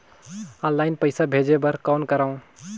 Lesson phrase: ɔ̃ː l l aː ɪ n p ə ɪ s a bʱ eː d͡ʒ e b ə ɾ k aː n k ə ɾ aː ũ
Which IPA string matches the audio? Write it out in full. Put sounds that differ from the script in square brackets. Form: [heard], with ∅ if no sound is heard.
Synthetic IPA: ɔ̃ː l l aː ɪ n p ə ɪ s a bʱ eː d͡ʒ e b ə ɾ k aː n k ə ɾ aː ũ